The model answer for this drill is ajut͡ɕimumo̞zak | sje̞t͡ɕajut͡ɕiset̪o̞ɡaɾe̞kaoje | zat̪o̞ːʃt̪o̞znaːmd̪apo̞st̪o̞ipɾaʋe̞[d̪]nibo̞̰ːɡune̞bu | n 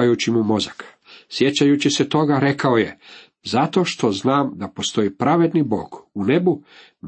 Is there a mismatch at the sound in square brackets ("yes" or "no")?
no